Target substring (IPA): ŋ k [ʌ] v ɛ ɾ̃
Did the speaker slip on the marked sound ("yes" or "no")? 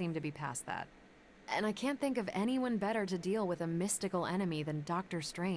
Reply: no